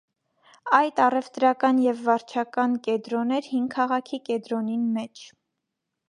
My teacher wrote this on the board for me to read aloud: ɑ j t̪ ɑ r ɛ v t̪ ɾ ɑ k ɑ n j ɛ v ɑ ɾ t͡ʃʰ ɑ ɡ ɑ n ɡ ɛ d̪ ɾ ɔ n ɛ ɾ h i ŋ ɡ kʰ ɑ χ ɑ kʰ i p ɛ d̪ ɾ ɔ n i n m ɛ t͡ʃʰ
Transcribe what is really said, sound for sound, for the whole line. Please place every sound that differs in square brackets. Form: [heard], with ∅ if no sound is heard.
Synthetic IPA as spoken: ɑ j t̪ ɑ r ɛ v t̪ ɾ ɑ k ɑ n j ɛ [vː] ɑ ɾ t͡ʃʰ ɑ [k] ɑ n [k] ɛ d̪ ɾ ɔ n ɛ ɾ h i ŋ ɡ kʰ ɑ [ʁ] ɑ kʰ i [k] ɛ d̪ ɾ ɔ n i n m ɛ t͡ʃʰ